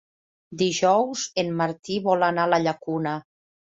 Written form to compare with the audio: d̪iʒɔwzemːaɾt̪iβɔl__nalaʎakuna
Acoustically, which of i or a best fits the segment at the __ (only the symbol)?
a